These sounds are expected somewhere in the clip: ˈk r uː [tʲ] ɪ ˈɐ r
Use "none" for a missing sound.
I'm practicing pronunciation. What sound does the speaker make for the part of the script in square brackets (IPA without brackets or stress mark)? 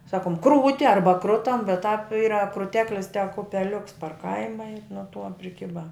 tʲ